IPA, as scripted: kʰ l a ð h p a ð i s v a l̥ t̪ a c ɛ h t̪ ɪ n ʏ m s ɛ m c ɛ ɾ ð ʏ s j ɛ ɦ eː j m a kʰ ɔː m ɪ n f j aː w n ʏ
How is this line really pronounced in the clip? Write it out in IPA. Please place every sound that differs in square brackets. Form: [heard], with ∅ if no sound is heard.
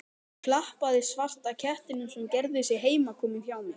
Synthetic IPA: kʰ l a [∅] h p a ð [ɪ] s v a [r̥] t̪ a [cʰ] ɛ h t̪ ɪ n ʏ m s ɛ m c ɛ ɾ ð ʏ s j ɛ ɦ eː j m a kʰ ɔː m ɪ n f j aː w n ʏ